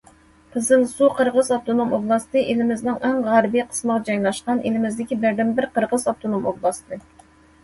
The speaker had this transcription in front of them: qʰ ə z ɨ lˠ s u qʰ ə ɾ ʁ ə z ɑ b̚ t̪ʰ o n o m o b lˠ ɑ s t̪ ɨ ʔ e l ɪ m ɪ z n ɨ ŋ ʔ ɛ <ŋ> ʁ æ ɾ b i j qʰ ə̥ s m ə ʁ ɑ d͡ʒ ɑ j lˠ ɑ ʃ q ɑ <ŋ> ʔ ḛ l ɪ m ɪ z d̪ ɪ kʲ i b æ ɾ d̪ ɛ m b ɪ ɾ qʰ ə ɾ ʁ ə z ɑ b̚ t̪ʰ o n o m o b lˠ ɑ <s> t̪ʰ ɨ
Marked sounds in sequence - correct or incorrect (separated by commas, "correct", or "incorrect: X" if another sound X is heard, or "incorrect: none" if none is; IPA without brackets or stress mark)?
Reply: correct, incorrect: n, correct